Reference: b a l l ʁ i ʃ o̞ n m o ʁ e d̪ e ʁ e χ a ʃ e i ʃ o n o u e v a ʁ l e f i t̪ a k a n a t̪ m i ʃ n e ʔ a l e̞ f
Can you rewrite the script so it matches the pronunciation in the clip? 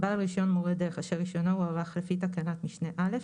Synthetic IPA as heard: b a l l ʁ i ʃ o̞ n m o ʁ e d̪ e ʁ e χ a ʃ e i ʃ o n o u a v a χ l e f i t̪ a k a n a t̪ m i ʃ n e ʔ a l e̞ f